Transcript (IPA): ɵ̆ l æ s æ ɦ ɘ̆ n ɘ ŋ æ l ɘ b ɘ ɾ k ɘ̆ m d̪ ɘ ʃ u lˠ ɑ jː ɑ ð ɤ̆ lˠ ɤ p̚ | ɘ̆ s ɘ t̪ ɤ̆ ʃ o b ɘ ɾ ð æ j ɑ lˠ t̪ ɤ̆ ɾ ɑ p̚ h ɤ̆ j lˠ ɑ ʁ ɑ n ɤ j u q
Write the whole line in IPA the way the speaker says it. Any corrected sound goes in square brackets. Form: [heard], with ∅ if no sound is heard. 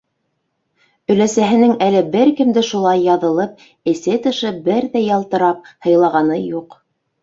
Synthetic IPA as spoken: ɵ̆ l æ s æ ɦ ɘ̆ n ɘ ŋ æ l ɘ b ɘ ɾ k ɘ̆ m d̪ ɘ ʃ u lˠ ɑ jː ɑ ð ɤ̆ lˠ ɤ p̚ | ɘ̆ s ɘ t̪ ɤ̆ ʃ [ɤ] b ɘ ɾ ð æ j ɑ lˠ t̪ ɤ̆ ɾ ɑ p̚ h ɤ̆ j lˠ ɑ ʁ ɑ n ɤ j u q